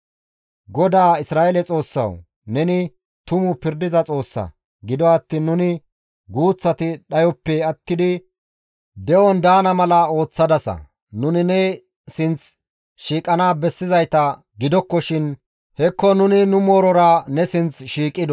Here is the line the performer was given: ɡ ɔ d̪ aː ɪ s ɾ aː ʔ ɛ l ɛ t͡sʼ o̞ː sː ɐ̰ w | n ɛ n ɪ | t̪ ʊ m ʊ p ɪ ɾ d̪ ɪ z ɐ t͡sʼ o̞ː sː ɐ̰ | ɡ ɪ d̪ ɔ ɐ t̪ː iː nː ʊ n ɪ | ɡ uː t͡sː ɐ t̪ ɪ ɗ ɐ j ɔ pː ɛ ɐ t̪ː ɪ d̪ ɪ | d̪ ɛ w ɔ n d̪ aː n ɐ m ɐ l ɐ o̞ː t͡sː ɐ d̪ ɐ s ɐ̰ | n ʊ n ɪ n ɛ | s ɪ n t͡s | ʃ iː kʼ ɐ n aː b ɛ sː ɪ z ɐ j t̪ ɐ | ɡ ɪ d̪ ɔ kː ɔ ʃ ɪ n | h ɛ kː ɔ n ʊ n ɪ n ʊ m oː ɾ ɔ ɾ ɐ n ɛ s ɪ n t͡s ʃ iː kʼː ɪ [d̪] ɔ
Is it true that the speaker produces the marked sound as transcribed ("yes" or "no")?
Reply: yes